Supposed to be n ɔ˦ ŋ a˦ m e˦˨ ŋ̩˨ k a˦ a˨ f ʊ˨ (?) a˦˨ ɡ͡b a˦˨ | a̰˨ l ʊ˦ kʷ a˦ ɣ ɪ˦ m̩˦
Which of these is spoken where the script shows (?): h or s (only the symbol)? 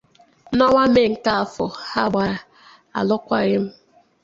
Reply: h